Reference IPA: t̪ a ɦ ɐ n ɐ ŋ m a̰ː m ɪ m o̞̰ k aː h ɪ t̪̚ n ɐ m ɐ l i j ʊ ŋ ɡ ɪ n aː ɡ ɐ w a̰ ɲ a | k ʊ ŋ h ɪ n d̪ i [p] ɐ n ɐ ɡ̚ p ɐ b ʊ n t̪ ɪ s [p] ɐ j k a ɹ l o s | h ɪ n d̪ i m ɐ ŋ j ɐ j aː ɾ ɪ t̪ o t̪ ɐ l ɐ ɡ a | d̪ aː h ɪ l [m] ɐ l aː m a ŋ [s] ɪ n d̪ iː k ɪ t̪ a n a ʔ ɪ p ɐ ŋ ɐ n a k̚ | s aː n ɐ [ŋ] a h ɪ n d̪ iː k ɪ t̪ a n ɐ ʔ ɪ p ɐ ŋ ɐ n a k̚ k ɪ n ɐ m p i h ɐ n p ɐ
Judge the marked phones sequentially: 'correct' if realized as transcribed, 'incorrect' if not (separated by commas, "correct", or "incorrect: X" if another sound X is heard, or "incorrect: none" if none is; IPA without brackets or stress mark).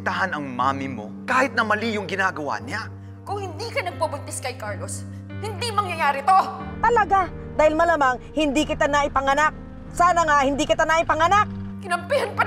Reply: incorrect: k, incorrect: k, correct, incorrect: h, correct